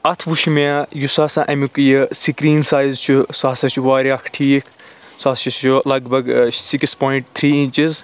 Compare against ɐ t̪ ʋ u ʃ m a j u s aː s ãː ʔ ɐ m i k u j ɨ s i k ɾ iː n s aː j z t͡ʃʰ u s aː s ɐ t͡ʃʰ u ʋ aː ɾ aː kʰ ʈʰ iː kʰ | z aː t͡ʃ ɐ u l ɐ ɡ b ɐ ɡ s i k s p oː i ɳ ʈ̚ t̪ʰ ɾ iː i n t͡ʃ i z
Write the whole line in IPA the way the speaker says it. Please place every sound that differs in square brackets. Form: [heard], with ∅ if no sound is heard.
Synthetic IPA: ɐ [t̪ʰ] ʋ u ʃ m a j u s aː s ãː ʔ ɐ m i k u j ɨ s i k ɾ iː n s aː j z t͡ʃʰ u s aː s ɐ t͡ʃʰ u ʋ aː ɾ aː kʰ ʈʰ iː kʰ | [s] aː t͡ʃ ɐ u l ɐ ɡ b ɐ ɡ s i k s p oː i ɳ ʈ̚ t̪ʰ ɾ iː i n t͡ʃ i z

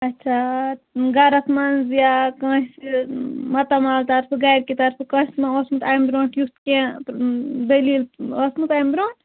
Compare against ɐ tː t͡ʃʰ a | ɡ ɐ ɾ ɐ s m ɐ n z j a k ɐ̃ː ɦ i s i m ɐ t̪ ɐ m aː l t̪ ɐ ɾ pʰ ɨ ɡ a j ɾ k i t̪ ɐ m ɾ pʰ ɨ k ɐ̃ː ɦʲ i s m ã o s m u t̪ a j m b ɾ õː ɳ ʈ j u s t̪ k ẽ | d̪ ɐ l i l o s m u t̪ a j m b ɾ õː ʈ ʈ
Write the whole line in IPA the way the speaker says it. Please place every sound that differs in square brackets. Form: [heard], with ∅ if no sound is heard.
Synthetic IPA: ɐ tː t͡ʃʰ a | ɡ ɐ ɾ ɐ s m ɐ n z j a k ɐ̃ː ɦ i s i m ɐ t̪ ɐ m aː l t̪ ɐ ɾ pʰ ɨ ɡ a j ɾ k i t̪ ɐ [∅] ɾ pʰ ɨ k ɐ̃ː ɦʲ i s m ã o s m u t̪ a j m b ɾ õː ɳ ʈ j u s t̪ k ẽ | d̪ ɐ l i l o s m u t̪ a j m b ɾ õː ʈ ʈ

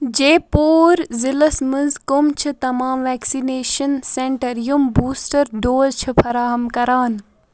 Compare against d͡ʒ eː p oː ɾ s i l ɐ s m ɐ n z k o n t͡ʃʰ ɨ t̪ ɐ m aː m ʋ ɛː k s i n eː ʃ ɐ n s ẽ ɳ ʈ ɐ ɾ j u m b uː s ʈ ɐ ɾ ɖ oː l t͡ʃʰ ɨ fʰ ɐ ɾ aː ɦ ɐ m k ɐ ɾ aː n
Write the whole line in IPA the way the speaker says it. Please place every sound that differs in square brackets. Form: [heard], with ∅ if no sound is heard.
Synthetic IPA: d͡ʒ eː p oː ɾ [z] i l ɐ s m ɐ n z k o [m] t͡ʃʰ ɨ t̪ ɐ m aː m ʋ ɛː k s i n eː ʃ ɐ n s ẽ ɳ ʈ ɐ ɾ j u m b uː s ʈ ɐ ɾ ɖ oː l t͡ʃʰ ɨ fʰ ɐ ɾ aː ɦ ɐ m k ɐ ɾ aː n

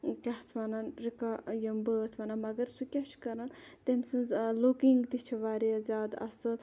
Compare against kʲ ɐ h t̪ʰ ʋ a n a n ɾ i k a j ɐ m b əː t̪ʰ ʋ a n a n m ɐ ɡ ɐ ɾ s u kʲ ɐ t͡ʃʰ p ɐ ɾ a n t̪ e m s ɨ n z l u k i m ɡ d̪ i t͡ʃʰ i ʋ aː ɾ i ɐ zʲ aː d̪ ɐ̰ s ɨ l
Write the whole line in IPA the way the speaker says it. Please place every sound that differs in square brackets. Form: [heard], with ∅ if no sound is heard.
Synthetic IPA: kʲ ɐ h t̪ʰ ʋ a n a n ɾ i k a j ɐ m b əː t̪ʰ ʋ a n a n m ɐ ɡ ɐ ɾ s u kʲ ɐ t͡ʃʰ [k] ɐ ɾ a n t̪ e m s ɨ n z l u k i [ŋ] ɡ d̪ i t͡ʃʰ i ʋ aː ɾ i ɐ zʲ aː d̪ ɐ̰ s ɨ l

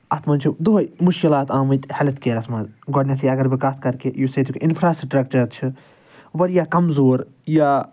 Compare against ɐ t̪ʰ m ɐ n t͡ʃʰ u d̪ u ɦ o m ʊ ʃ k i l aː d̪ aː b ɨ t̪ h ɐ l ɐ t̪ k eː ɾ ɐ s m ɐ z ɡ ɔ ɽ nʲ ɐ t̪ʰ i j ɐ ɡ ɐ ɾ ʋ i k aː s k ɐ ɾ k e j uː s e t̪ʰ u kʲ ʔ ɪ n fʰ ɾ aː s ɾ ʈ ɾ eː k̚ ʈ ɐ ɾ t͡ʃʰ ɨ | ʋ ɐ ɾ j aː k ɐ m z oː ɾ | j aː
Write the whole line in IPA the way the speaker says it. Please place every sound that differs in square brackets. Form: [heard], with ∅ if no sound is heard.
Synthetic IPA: ɐ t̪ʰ m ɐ n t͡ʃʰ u d̪ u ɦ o m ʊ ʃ k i l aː [t̪] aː [m] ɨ t̪ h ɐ l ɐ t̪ k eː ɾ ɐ s m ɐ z ɡ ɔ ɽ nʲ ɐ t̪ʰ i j ɐ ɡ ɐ ɾ ʋ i k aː s k ɐ ɾ k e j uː s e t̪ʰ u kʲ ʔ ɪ n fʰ ɾ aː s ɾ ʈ ɾ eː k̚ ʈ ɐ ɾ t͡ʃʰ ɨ | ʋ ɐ ɾ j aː k ɐ m z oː ɾ | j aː

